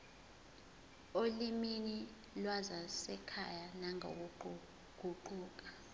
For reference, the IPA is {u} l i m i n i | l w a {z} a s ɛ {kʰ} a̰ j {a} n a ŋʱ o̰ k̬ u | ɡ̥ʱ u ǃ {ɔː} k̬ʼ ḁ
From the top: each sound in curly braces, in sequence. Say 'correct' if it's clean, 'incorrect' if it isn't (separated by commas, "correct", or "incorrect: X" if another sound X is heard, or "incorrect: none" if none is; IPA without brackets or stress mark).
incorrect: o, correct, correct, correct, incorrect: uː